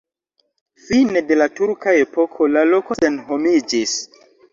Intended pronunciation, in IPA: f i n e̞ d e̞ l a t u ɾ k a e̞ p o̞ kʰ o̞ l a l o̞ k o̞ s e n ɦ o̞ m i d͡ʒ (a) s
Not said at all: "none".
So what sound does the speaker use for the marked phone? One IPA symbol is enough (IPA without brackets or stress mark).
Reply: i